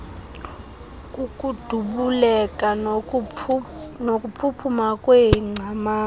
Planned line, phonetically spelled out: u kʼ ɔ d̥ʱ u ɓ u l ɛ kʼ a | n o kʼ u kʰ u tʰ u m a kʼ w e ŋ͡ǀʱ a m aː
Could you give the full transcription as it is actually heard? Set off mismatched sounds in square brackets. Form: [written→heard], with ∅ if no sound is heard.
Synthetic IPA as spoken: u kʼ [ɔ→u] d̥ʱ u ɓ u l ɛ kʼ a | n o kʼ u [kʰ→pʰ] u [tʰ→pʰ] u m a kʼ w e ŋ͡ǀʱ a m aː